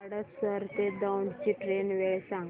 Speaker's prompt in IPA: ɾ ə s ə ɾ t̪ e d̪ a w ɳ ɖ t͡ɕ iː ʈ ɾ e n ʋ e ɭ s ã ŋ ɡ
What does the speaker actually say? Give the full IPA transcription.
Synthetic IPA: ɽ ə s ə ɾ t̪ e d̪ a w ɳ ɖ t͡ɕ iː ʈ ɾ e n ʋ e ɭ s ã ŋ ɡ